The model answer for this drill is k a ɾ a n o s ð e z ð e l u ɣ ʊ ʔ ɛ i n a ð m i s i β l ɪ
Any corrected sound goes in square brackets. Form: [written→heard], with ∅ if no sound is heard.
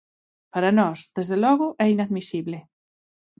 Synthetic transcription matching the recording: [k→p] a ɾ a n [o→ɔ] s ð e z ð e l [u→ɔ] ɣ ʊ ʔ ɛ i n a ð m i s i β l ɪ